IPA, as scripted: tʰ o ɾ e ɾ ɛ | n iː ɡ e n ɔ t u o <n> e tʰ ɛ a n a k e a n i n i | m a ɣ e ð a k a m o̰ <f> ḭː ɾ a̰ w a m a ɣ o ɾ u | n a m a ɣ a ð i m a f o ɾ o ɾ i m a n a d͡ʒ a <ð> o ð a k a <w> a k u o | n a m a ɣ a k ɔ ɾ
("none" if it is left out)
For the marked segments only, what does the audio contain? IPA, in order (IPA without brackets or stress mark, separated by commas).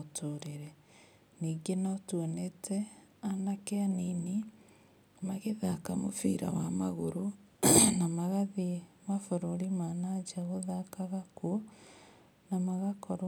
n, f, ɣ, ɣ